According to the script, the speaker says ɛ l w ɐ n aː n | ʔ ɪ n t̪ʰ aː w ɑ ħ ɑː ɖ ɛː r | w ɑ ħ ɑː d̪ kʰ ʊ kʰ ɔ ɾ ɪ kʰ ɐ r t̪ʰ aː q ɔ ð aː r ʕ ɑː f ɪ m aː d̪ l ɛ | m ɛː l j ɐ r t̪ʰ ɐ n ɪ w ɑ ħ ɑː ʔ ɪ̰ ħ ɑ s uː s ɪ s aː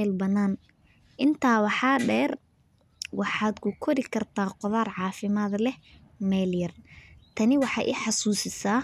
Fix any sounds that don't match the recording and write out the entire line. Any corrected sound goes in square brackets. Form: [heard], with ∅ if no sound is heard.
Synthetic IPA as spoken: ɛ l [b] ɐ n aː n | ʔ ɪ n t̪ʰ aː w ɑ ħ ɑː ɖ ɛː r | w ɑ ħ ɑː d̪ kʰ ʊ kʰ ɔ ɾ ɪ kʰ ɐ r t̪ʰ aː q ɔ ð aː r ʕ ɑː f ɪ m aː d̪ l ɛ | m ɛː l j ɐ r t̪ʰ ɐ n ɪ w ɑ ħ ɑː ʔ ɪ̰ ħ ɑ s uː s ɪ s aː